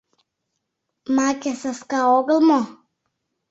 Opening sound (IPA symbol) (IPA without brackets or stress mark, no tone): m